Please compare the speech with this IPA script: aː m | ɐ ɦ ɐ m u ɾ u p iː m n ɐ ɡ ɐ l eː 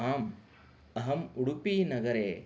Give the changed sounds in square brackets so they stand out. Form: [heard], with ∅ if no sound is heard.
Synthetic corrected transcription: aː m | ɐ ɦ ɐ m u [ɽ] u p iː [∅] n ɐ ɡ ɐ [ɾ] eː

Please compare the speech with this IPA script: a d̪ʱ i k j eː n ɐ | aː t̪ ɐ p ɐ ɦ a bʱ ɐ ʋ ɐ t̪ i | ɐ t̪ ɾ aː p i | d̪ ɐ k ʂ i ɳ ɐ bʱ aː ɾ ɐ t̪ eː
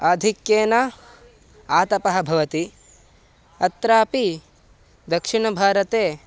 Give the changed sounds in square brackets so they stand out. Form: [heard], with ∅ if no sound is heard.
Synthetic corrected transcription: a d̪ʱ i k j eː n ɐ | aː t̪ ɐ p ɐ ɦ [ɐ] bʱ ɐ ʋ ɐ t̪ i | ɐ t̪ ɾ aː p i | d̪ ɐ k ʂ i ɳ ɐ bʱ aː ɾ ɐ t̪ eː

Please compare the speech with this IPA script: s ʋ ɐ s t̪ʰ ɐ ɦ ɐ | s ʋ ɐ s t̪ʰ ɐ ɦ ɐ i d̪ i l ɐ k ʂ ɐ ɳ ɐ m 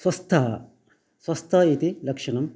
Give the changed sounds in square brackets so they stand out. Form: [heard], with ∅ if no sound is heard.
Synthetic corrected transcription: s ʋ ɐ s t̪ʰ ɐ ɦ ɐ | s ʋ ɐ s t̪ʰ ɐ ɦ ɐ i [t̪] i l ɐ k ʂ ɐ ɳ ɐ m

